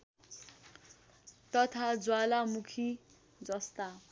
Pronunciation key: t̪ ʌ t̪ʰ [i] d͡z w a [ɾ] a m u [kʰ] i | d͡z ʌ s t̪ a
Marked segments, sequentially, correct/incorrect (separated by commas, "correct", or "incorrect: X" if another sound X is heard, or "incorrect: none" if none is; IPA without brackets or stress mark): incorrect: a, incorrect: l, correct